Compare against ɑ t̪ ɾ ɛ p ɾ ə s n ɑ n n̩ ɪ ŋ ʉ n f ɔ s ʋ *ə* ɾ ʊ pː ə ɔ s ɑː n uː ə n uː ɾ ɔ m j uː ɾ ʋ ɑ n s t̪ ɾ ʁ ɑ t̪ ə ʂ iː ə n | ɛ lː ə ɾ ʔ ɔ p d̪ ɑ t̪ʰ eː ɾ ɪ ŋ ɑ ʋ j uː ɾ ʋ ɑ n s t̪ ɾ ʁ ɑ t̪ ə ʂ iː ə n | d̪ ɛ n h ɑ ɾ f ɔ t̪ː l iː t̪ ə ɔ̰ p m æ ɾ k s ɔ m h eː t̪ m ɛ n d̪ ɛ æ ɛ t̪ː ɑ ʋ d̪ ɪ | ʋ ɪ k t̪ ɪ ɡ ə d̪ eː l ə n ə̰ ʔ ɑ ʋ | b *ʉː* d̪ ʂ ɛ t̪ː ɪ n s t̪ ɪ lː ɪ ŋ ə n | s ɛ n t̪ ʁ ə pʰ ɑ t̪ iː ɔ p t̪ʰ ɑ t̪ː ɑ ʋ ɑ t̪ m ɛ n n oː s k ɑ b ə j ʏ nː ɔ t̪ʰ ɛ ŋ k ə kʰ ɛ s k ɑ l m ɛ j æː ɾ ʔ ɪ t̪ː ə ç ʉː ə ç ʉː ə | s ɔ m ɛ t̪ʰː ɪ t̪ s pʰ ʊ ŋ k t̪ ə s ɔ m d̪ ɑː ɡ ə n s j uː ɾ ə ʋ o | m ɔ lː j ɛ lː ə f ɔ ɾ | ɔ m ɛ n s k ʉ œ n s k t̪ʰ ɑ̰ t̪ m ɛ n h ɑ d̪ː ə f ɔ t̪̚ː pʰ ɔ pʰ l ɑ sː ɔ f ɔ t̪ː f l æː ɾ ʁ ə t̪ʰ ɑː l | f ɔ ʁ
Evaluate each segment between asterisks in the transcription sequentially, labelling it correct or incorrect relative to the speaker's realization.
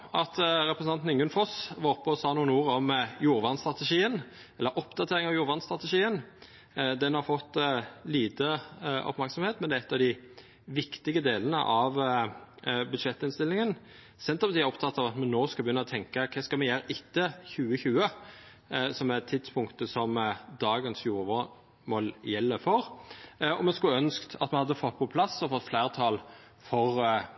incorrect: ɑ, incorrect: ʉ

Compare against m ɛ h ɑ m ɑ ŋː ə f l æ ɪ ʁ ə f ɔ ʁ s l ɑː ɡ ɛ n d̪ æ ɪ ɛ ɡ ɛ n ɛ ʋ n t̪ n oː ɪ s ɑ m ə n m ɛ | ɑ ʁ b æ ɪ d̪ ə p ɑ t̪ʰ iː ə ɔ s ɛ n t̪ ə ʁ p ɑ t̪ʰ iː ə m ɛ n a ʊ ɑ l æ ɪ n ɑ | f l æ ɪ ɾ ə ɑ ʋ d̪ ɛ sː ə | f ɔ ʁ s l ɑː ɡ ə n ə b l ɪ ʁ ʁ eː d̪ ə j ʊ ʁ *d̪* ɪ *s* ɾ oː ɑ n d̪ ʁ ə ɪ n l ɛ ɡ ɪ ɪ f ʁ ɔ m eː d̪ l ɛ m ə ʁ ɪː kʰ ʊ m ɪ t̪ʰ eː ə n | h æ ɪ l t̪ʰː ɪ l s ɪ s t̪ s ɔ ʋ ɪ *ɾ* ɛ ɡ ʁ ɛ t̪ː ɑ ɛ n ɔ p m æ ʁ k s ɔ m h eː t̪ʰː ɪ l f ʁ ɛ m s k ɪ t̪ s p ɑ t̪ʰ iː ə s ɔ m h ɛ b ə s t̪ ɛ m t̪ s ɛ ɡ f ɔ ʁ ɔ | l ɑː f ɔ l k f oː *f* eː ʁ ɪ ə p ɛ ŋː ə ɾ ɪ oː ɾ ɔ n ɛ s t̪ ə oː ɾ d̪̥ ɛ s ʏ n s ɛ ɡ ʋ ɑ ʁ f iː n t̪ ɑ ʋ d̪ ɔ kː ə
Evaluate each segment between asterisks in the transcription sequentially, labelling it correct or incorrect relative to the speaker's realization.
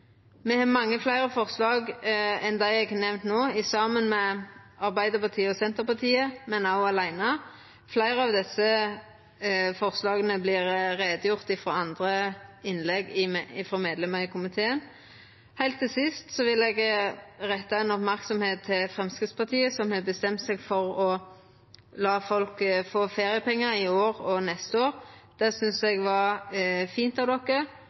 incorrect: t̪, incorrect: f, incorrect: l, correct

